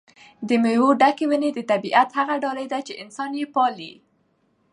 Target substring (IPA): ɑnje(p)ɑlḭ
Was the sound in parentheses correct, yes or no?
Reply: yes